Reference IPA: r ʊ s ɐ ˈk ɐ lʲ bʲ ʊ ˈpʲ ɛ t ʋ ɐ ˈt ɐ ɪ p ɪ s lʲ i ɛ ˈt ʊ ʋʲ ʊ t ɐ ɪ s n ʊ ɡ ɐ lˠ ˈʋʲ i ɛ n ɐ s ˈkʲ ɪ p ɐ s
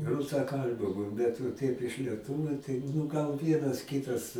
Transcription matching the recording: r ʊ s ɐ ˈk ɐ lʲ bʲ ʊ ˈbʲ ɛ t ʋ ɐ ˈt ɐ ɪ p ɪ ʃ lʲ i ɛ ˈt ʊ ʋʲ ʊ t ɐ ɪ n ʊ ɡ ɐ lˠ ˈʋʲ i ɛ n ɐ s ˈkʲ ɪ t ɐ s